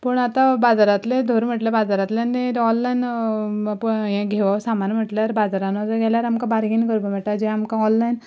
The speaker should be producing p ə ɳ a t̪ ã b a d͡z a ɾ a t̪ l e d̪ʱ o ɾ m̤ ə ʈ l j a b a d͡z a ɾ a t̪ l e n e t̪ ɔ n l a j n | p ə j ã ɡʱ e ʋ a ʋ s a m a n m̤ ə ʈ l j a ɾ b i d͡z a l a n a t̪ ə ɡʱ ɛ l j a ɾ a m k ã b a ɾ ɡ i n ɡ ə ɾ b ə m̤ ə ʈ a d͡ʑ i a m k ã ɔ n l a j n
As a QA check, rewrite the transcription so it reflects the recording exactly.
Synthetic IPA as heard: p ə ɳ a t̪ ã b a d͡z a ɾ a t̪ l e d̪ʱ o ɾ m̤ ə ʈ l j a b a d͡z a ɾ a t̪ l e n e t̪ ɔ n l a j n | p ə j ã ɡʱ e ʋ a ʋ s a m a n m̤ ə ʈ l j a ɾ b a d͡z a ɾ a n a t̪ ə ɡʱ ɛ l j a ɾ a m k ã b a ɾ ɡ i n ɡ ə ɾ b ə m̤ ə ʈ a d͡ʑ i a m k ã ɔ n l a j n